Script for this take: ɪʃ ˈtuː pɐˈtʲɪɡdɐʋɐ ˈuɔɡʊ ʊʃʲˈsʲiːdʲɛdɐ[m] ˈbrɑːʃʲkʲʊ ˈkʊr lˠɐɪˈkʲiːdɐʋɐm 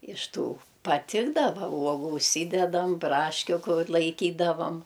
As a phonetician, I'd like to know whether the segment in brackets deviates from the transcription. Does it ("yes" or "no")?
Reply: no